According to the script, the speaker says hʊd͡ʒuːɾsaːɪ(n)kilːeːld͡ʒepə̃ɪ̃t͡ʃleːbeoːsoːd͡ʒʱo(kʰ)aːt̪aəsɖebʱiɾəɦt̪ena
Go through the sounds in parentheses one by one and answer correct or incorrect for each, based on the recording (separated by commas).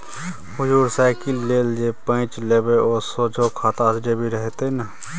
incorrect, correct